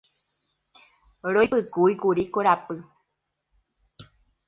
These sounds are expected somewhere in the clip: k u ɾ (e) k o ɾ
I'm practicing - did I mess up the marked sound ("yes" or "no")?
yes